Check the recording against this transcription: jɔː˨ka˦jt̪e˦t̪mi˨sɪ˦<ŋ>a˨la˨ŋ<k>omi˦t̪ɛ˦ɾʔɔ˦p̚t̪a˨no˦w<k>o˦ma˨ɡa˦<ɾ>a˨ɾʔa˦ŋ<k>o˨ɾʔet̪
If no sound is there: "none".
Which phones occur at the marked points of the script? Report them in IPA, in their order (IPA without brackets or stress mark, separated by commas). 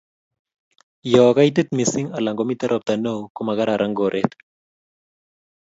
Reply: ŋ, ɡ, k, ɾ, ɡ